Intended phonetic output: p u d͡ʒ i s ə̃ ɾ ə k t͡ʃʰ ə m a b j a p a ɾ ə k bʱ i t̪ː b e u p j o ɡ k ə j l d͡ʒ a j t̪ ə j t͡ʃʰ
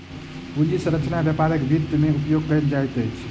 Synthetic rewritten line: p u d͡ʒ i s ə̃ ɾ ə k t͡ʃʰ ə n a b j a p a ɾ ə k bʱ i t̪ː m e u p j o ɡ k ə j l d͡ʒ a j t̪ ə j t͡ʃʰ

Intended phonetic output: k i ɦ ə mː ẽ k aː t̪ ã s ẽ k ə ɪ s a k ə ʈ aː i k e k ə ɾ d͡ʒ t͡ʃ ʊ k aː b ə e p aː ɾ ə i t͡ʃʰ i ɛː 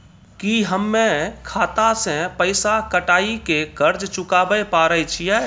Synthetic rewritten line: k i ɦ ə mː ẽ kʰ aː t̪ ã s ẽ p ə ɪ s a k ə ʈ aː i k e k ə ɾ d͡ʒ t͡ʃ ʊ k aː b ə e p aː ɾ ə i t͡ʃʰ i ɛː

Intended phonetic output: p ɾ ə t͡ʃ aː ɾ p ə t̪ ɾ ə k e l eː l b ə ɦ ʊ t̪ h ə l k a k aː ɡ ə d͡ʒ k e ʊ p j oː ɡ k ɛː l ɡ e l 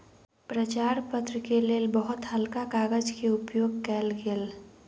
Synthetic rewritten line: p ɾ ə t͡ʃ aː ɾ p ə t̪ ɾ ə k e l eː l b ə ɦ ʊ t̪ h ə l k a k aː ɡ ə d͡ʒ k e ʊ p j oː ɡ k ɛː l ɡ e l

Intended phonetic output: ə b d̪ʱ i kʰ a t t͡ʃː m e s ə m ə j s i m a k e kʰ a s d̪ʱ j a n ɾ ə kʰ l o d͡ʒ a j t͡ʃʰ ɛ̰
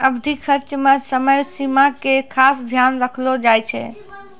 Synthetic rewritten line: ə b d̪ʱ i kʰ ə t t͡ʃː m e s ə m ə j s i m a k e kʰ a s d̪ʱ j a n ɾ ə kʰ l o d͡ʒ a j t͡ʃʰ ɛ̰

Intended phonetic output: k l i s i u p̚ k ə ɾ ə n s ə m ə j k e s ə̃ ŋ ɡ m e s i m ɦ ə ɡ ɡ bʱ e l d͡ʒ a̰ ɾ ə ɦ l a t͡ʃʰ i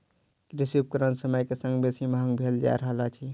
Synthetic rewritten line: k ɾ i s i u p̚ k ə ɾ ə n s ə m ə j k e s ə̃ ŋ ɡ b e s i m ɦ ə ŋ ɡ bʱ e l d͡ʒ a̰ ɾ ə ɦ l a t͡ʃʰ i

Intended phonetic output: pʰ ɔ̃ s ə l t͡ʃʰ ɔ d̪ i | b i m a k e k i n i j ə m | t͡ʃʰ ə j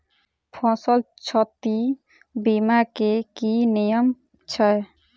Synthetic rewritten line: pʰ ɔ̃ s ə l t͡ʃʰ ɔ t̪ i | b i m a k e k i n i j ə m | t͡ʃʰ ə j

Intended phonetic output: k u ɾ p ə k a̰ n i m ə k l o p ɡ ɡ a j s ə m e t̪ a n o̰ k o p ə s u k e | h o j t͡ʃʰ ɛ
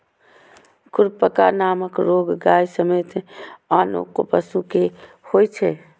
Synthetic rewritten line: k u ɾ p ə k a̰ n a m ə k ɾ o ɡ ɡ a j s ə m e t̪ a n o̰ k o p ə s u k e | h o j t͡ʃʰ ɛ

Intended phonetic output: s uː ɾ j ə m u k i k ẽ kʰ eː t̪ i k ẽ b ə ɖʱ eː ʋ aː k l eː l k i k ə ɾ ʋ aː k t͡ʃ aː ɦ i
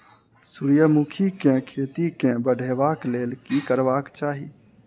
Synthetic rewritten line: s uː ɾ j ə m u kʰ i k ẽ kʰ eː t̪ i k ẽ b ə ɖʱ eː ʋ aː k l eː l k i k ə ɾ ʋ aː k t͡ʃ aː ɦ i

